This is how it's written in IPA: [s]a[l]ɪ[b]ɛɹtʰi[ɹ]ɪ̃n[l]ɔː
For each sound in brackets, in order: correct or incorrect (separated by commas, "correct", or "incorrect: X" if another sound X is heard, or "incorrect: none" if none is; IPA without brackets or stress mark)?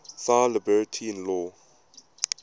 correct, correct, correct, incorrect: none, correct